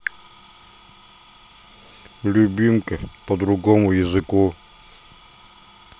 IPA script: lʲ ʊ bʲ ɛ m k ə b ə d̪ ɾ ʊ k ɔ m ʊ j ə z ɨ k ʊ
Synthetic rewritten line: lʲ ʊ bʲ i m k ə p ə d̪ ɾ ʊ ɡ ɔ m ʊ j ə z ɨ k u